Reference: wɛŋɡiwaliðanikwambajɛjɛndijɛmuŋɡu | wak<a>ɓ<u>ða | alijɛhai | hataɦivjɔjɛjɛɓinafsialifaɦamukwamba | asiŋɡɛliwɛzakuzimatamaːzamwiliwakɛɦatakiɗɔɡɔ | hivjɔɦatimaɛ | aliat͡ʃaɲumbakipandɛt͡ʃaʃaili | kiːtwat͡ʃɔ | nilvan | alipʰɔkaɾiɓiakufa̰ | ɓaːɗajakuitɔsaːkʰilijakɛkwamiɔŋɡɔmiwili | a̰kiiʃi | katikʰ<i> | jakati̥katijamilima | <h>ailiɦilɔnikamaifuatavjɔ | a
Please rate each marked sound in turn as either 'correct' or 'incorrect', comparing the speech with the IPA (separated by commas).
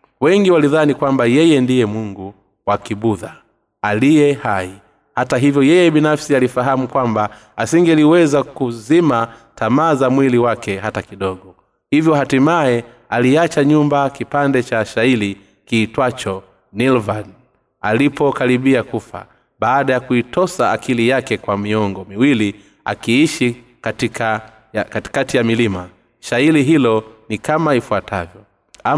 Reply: incorrect, correct, incorrect, incorrect